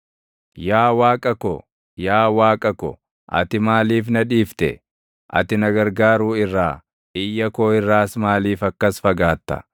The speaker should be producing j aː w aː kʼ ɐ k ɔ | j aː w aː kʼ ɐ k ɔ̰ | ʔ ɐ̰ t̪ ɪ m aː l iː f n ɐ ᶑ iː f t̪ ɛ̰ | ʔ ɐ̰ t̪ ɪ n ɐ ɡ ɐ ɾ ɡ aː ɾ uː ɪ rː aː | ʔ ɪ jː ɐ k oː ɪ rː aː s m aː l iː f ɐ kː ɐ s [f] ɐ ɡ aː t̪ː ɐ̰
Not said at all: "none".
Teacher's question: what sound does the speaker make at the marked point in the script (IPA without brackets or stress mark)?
f